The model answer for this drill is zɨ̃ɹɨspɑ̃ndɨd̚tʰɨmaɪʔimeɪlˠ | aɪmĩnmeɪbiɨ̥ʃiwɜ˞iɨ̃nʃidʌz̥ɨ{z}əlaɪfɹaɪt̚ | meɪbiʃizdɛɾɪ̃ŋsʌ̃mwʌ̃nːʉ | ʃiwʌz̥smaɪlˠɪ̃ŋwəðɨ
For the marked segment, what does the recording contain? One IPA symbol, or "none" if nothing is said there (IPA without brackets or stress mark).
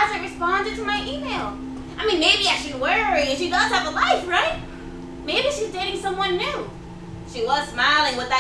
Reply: v